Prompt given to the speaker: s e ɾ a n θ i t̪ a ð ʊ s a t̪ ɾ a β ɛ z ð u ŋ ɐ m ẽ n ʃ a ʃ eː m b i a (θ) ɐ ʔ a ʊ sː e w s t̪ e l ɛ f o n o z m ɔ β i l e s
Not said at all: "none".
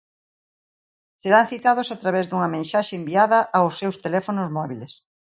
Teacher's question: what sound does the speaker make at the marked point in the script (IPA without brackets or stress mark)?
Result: ð